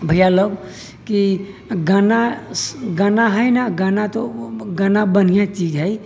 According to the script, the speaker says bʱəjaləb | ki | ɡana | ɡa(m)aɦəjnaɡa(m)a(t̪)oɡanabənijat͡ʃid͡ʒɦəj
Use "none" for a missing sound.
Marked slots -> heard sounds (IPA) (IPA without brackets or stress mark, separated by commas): n, n, t̪